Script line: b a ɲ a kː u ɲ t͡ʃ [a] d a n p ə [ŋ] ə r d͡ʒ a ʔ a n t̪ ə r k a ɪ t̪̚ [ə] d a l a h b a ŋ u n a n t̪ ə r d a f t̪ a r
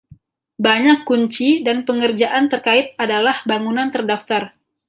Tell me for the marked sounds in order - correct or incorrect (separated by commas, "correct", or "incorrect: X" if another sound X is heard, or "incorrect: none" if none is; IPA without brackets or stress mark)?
incorrect: i, correct, incorrect: a